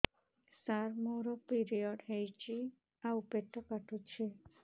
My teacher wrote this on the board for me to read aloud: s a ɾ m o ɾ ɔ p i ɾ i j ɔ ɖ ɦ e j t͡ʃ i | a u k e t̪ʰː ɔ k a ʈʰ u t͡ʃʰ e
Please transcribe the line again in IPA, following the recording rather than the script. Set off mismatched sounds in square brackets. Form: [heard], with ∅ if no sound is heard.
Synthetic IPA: s a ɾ m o ɾ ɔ p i ɾ i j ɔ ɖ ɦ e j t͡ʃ i | a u [p] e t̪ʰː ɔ k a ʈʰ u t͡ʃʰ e